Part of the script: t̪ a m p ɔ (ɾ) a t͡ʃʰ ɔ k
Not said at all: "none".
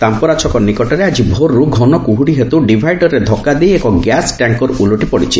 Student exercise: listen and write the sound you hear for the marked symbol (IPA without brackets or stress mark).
ɾ